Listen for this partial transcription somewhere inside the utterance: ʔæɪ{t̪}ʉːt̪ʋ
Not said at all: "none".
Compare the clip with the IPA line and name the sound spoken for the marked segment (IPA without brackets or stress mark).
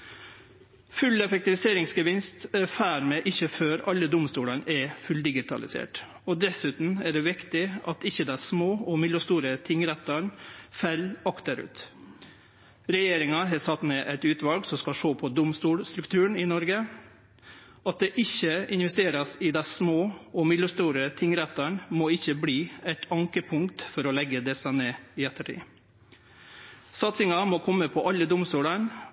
t̪